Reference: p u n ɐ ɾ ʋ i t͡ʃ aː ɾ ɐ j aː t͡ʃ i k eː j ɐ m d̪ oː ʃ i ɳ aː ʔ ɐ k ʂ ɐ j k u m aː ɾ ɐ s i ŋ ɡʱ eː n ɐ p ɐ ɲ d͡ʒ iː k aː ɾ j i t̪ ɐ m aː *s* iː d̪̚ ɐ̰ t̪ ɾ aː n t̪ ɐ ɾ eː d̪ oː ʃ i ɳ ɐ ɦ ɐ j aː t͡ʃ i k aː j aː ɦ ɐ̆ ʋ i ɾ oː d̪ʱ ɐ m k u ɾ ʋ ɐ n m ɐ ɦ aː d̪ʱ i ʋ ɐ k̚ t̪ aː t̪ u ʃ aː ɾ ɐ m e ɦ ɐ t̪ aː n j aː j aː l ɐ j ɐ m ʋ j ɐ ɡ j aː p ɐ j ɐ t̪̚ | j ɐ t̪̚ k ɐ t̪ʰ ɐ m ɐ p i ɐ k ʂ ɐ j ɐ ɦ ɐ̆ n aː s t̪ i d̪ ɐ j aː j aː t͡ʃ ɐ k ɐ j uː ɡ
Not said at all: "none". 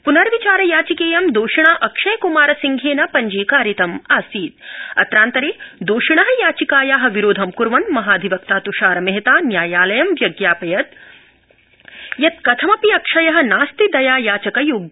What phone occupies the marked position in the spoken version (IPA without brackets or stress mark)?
s